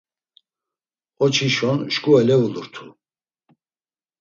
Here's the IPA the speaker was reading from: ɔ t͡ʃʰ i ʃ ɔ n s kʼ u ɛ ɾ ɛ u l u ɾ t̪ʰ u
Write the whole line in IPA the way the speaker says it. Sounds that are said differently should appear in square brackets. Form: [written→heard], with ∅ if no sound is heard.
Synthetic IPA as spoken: ɔ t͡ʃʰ i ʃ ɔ n [s→ʃ] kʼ u ɛ [ɾ→l] ɛ u l u ɾ t̪ʰ u